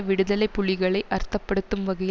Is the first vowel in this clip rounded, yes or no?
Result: no